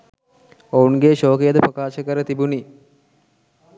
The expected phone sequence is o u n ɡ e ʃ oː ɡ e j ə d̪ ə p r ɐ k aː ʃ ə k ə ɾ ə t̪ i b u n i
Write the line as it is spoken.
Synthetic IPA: o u n ɡ e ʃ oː k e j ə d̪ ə p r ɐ k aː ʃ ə k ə ɾ ə t̪ i b u n i